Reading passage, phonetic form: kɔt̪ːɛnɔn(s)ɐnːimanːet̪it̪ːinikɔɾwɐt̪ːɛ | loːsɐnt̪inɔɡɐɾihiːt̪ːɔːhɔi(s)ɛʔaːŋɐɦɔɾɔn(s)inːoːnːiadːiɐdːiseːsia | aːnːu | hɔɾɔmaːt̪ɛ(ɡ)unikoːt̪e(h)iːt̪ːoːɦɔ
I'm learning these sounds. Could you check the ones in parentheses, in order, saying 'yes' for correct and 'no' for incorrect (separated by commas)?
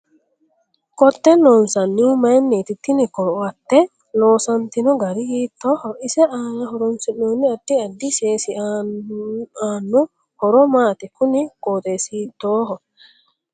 yes, yes, yes, no, no